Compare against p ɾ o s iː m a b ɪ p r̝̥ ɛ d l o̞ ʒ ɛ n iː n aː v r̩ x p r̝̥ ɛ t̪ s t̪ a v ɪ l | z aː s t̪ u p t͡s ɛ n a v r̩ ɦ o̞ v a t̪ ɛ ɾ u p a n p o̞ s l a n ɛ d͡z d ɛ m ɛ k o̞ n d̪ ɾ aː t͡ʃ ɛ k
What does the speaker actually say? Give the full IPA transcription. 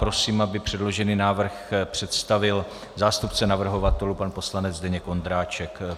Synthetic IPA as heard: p ɾ o s iː m a b ɪ p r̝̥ ɛ d l o̞ ʒ ɛ n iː n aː v r̩ x p r̝̥ ɛ t̪ s t̪ a v ɪ l | z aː s t̪ u p t͡s ɛ n a v r̩ ɦ o̞ v a t̪ ɛ l u p a n p o̞ s l a n ɛ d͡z d ɛ ɲ ɛ k o̞ n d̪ ɾ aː t͡ʃ ɛ k